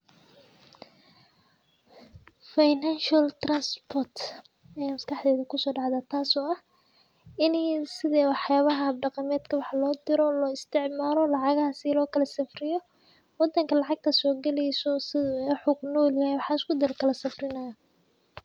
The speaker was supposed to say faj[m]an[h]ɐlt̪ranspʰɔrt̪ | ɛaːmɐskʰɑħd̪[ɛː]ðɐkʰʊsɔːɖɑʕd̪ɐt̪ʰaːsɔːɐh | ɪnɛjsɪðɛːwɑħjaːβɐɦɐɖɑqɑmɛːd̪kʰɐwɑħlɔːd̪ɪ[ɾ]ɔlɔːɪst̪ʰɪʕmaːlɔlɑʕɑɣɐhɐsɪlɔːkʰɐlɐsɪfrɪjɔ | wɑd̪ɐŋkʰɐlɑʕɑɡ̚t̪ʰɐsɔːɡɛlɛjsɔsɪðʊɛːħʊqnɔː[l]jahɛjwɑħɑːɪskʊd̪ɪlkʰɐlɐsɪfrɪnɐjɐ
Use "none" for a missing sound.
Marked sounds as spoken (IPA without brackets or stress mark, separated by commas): n, ʃ, ɛː, ɾ, l